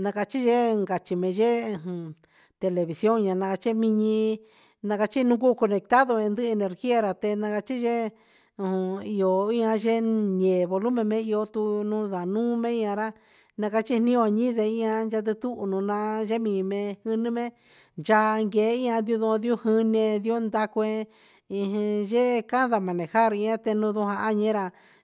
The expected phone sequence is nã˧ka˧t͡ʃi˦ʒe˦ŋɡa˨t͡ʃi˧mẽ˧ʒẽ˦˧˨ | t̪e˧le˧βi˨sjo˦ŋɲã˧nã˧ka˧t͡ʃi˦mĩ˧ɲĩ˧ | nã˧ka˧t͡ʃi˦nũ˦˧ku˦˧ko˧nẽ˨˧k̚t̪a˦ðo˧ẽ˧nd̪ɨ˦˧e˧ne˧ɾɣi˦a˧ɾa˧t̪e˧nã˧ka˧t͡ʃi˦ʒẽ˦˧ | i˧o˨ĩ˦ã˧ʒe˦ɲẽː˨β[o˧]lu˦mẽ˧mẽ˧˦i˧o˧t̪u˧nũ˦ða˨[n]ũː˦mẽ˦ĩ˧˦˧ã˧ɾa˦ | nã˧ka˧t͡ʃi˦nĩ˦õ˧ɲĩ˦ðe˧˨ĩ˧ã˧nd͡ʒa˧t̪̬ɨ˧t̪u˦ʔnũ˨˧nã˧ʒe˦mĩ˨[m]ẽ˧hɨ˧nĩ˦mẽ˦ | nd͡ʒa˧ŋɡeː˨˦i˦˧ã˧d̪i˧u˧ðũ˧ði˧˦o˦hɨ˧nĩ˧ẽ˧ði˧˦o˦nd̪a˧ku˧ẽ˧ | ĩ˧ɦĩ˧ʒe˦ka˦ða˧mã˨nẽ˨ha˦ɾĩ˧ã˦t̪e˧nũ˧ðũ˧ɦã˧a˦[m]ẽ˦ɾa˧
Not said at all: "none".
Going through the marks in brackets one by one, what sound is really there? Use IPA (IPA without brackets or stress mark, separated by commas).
o˧, n, m, ɲ